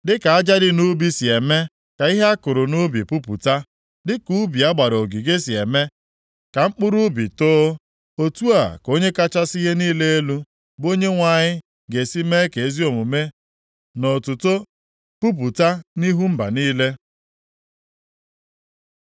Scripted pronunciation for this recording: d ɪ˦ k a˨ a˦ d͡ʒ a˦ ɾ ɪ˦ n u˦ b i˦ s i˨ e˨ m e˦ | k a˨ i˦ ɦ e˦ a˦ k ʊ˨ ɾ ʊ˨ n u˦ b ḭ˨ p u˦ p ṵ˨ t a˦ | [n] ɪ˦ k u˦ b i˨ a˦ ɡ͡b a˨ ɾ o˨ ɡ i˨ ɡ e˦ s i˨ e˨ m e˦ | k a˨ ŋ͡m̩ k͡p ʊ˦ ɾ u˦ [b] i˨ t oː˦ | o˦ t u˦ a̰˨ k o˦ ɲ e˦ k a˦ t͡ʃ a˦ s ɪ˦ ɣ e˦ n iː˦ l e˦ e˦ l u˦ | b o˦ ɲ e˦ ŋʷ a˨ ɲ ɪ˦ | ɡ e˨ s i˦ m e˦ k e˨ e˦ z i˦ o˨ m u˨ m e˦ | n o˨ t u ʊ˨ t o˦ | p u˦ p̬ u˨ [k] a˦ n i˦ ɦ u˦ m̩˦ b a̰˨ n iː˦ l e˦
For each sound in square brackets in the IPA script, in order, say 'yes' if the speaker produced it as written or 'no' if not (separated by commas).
no, yes, no